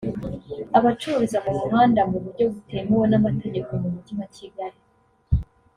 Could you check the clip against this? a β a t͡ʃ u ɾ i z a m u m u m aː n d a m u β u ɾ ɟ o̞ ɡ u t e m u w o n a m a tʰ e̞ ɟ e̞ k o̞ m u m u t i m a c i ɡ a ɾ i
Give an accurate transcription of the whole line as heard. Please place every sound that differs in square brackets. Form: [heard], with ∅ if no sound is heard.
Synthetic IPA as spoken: a β a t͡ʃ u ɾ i z a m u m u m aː n d a m u β u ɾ ɟ o̞ ɡ u t e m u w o n a m a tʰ e̞ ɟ e̞ k o̞ m u m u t i m a c i ɡ a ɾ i